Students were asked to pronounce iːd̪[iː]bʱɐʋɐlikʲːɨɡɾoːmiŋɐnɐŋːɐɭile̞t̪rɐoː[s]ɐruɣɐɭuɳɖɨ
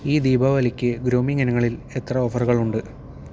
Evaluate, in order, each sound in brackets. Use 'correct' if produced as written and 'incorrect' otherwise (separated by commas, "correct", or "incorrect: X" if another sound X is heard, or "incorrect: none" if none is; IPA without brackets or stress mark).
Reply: correct, incorrect: f